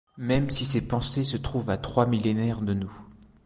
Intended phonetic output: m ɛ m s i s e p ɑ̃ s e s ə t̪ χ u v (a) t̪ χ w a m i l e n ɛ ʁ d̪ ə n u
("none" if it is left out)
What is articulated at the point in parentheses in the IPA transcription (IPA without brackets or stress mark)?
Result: a